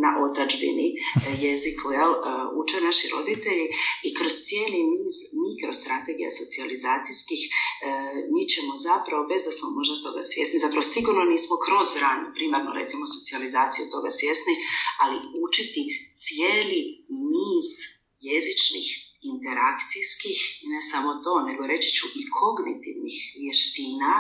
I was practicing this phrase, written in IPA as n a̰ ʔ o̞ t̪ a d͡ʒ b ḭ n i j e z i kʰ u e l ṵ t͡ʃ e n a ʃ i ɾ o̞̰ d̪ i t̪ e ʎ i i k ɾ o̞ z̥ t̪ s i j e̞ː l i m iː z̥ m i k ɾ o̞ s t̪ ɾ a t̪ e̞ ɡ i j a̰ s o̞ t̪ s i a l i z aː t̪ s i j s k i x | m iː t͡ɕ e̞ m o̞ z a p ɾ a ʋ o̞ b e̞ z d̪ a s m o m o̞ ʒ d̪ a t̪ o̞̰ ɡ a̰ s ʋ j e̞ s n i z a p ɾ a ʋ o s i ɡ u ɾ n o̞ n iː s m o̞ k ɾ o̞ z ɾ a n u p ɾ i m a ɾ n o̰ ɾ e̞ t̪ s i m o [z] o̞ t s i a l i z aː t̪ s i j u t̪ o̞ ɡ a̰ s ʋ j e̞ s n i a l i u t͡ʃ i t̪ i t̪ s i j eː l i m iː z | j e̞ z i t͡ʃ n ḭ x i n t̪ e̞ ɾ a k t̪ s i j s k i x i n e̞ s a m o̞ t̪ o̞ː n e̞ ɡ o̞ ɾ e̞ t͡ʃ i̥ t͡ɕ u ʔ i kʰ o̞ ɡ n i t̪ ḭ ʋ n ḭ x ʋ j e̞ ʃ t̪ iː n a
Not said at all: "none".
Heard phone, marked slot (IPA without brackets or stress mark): s